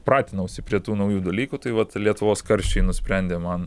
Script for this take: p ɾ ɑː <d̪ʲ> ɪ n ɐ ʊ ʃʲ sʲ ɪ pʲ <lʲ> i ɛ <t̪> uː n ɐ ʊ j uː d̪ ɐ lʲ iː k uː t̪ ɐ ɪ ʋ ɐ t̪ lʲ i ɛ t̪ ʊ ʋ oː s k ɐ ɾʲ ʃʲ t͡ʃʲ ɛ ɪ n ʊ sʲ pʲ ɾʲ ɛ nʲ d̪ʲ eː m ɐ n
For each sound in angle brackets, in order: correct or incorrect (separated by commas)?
incorrect, incorrect, correct